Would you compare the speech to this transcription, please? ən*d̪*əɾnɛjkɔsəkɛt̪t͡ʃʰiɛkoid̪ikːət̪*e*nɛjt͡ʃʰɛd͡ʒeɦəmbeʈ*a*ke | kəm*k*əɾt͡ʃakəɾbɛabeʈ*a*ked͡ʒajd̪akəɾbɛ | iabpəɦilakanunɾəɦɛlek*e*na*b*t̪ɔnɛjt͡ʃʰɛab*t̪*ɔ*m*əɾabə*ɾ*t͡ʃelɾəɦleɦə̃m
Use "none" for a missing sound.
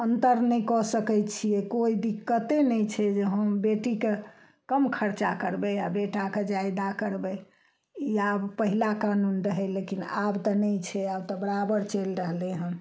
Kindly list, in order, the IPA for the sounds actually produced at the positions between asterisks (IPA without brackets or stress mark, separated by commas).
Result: t̪, e, i, kʰ, a, i, b, t̪, b, ɾ